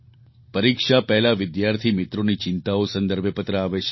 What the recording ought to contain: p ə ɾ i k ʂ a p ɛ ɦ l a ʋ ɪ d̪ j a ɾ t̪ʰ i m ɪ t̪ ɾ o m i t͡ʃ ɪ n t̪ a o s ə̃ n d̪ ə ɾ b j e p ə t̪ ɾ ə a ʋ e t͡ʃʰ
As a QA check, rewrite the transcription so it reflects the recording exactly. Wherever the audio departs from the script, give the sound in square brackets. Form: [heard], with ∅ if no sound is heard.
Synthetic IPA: p ə ɾ i k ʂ a p ɛ ɦ l a ʋ ɪ d̪ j a ɾ t̪ʰ i m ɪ t̪ ɾ o [n] i t͡ʃ ɪ n t̪ a o s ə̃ n d̪ ə ɾ b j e p ə t̪ ɾ ə a ʋ e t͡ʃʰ